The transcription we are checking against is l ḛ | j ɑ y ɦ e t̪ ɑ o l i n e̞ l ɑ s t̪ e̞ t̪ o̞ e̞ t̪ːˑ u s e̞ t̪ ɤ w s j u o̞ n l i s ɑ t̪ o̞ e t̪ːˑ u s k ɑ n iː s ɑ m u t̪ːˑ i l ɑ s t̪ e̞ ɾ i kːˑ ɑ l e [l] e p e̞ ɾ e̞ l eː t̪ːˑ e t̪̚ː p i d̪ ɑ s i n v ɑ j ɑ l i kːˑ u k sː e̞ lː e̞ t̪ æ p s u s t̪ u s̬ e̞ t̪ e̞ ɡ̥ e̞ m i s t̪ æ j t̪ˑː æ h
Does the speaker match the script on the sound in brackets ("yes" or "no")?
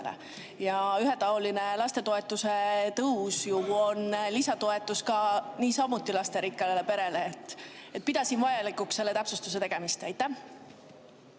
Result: yes